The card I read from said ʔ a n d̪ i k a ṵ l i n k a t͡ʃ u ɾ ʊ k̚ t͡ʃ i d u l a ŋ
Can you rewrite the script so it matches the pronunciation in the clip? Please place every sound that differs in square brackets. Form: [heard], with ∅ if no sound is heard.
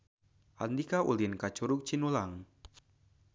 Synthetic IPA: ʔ a n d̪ i k a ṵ l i n k a t͡ʃ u ɾ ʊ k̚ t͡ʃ i [n] u l a ŋ

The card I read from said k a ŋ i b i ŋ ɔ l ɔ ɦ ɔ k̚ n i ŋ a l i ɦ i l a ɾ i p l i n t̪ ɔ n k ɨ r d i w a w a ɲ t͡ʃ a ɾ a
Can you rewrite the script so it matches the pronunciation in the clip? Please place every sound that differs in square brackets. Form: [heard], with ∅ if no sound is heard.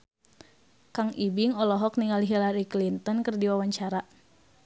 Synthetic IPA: k a ŋ i b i ŋ ɔ l ɔ ɦ ɔ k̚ n i ŋ a l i ɦ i l a ɾ i [k] l i n t̪ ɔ n k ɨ r d i w a w a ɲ t͡ʃ a ɾ a

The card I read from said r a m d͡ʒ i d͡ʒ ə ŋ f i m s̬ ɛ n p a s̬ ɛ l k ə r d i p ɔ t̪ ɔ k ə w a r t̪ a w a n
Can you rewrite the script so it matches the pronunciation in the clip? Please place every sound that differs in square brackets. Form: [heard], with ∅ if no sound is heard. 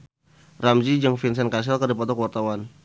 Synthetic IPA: r a m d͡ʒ i d͡ʒ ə ŋ f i [n] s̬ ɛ n [k] a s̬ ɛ l k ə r d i p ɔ t̪ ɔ k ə w a r t̪ a w a n

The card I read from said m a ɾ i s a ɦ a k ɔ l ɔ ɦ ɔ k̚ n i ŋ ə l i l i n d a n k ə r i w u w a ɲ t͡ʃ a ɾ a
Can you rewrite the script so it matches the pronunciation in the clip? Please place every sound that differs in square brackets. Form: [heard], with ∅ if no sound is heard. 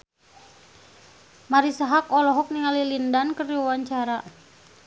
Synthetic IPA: m a ɾ i s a ɦ a k ɔ l ɔ ɦ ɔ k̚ n i ŋ [a] l i l i n d a n k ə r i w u w a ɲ t͡ʃ a ɾ a

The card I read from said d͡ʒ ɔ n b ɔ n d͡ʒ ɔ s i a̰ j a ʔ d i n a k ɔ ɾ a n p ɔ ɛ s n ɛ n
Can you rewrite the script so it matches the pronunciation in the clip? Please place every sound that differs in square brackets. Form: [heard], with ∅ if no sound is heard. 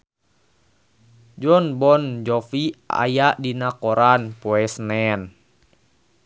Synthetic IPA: d͡ʒ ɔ n b ɔ n d͡ʒ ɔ [f] i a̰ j a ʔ d i n a k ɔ ɾ a n p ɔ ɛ s n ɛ n

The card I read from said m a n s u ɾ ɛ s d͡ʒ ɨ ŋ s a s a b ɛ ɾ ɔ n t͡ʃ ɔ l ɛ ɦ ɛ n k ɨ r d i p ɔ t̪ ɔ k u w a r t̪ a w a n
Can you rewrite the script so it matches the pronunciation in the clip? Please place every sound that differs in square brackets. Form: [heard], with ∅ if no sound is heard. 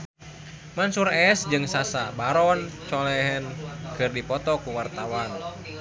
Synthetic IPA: m a n s u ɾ ɛ s d͡ʒ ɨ ŋ s a s a b [a] ɾ ɔ n t͡ʃ ɔ l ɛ ɦ ɛ n k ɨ r d i p ɔ t̪ ɔ k u w a r t̪ a w a n

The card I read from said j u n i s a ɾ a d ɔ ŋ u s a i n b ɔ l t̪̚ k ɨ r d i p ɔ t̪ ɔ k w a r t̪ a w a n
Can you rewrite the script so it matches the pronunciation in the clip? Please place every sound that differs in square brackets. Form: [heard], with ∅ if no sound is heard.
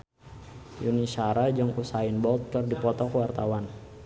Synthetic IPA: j u n i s a ɾ a [d͡ʒ] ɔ ŋ u s a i n b ɔ l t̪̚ k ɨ r d i p ɔ t̪ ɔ k w a r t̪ a w a n

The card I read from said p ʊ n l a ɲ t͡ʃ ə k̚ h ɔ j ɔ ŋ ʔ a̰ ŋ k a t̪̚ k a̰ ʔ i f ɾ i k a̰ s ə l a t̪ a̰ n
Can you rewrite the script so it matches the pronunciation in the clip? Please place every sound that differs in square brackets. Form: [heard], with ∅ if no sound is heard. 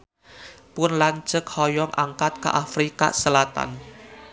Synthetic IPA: p ʊ n l a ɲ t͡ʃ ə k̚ h ɔ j ɔ ŋ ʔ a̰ ŋ k a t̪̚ k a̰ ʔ [a] f ɾ i k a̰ s ə l a t̪ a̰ n

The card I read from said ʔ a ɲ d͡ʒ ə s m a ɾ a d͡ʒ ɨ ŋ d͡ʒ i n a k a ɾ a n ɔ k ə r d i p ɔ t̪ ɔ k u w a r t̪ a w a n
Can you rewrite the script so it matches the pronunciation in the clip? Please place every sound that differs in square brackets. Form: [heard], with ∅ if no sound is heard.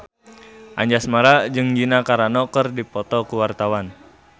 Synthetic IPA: ʔ a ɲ d͡ʒ [a] s m a ɾ a d͡ʒ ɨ ŋ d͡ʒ i n a k a ɾ a n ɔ k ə r d i p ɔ t̪ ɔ k u w a r t̪ a w a n

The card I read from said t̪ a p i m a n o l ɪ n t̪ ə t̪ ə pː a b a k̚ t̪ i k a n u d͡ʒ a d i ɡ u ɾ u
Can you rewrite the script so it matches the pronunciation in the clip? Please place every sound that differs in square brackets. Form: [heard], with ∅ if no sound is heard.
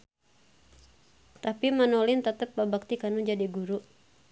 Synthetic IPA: t̪ a p i m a n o l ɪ n t̪ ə t̪ ə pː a b a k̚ t̪ i k a n u d͡ʒ a d i ɡ u ɾ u

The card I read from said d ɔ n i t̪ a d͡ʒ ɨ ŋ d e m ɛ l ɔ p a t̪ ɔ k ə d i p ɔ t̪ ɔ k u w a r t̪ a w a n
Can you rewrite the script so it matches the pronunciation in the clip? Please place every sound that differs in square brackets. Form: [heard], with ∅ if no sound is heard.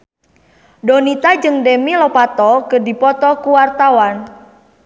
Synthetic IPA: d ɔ n i t̪ a d͡ʒ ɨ ŋ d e m [i] l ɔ p a t̪ ɔ k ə d i p ɔ t̪ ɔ k u w a r t̪ a w a n

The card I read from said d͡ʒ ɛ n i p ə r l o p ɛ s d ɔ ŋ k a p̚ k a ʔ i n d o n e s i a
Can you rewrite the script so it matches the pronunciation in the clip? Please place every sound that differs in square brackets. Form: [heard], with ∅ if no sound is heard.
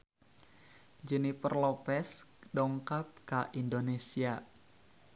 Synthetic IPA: d͡ʒ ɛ n i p ə r l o p ɛ s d ɔ ŋ k a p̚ k a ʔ i n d o n e s i a

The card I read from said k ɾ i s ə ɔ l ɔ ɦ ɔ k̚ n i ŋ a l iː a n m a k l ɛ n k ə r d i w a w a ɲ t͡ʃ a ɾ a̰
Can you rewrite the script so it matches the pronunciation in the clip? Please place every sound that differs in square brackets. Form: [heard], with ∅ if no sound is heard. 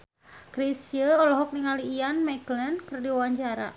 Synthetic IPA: k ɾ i s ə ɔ l ɔ ɦ ɔ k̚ n i ŋ a l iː a n m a k l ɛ n k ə r d i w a w a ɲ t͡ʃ a ɾ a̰

